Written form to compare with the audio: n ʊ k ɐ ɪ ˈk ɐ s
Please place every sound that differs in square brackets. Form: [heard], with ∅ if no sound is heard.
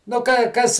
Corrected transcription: n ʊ k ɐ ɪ ˈk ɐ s